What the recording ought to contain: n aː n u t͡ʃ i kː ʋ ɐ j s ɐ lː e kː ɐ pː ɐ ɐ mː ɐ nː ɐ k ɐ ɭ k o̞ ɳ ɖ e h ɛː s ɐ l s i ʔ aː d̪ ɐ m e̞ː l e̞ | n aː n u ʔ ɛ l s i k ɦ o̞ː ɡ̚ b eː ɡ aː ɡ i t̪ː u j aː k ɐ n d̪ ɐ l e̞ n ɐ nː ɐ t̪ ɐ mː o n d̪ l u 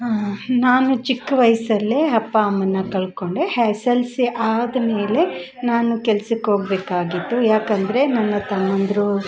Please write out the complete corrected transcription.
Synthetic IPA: n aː n u t͡ʃ i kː ʋ ɐ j s ɐ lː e ɐ pː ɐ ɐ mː ɐ nː ɐ k ɐ ɭ k o̞ ɳ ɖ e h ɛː s ɐ l s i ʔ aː d̪ ɐ m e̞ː l e̞ | n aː n u k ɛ l s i k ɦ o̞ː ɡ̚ b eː k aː ɡ i t̪ː u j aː k ɐ n d̪ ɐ ɾ e̞ n ɐ nː ɐ t̪ ɐ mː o n d̪ ɾ u